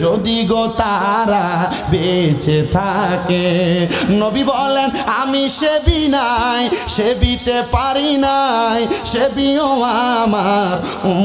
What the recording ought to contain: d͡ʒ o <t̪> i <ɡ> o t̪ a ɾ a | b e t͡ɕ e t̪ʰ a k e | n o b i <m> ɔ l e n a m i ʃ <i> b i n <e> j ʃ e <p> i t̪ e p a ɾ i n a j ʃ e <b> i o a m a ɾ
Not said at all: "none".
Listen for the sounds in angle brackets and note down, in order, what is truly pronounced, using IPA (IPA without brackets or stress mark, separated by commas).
d̪, ɡ, b, e, a, b, b